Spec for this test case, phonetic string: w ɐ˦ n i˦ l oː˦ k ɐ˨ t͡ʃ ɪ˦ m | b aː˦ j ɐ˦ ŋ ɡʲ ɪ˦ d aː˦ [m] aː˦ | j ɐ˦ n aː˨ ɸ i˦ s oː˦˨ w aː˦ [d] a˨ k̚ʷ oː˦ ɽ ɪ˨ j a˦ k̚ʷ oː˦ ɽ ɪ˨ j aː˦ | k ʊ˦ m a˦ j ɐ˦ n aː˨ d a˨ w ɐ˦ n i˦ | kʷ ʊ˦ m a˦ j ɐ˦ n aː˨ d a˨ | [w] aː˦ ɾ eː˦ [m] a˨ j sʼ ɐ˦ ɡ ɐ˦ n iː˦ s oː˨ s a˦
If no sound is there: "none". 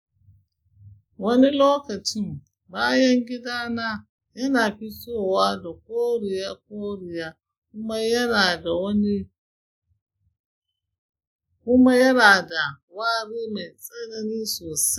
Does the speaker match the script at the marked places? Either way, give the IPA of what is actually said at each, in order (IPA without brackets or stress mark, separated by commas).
n, d, w, m